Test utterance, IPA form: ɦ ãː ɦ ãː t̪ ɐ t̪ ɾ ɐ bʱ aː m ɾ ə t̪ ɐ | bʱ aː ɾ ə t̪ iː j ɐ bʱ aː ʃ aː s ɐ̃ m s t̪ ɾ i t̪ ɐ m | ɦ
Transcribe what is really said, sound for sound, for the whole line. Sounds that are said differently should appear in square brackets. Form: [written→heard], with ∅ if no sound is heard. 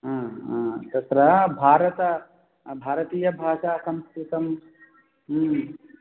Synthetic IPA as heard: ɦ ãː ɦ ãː t̪ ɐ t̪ ɾ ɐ bʱ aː [m→∅] ɾ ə t̪ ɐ | bʱ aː ɾ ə t̪ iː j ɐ bʱ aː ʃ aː s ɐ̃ m s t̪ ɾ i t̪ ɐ m | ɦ